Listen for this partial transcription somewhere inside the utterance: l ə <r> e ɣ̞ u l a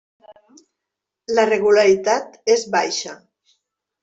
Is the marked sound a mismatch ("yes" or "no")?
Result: no